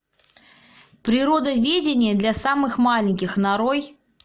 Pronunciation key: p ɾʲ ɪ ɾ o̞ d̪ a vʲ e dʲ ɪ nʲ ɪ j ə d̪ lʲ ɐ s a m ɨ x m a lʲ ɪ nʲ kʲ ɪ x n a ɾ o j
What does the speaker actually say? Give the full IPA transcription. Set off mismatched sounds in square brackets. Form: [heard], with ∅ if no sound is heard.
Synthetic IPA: p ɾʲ ɪ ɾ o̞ d̪ [ə] vʲ e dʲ ɪ nʲ ɪ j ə d̪ lʲ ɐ s a m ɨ x m a lʲ ɪ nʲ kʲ ɪ x n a ɾ o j